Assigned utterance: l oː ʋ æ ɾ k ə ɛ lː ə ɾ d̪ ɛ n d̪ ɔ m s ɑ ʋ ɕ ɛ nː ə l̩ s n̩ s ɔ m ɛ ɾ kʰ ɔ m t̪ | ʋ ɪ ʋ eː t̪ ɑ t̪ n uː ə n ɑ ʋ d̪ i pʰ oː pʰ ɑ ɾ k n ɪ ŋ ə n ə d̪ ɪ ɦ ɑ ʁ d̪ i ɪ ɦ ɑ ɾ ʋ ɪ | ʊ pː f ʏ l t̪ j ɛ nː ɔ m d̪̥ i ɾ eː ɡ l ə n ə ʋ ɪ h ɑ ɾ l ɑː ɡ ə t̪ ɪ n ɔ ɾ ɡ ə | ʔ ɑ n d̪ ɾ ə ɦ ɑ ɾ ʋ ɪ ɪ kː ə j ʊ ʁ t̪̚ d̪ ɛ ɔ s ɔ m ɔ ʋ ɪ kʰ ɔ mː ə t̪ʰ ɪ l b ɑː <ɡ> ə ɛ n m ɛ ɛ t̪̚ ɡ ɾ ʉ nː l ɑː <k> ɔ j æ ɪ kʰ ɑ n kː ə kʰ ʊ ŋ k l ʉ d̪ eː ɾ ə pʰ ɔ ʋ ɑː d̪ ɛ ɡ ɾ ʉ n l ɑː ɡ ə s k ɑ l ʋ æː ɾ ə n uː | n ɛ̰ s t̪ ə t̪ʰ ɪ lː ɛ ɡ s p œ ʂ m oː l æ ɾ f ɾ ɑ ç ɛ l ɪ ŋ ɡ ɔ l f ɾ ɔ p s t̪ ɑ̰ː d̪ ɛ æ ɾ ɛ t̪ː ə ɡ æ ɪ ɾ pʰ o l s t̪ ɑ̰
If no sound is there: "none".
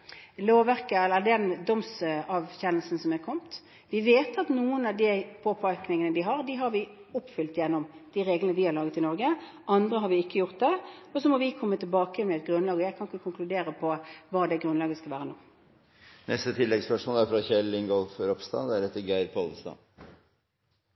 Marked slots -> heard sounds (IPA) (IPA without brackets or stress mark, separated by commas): k, ɡ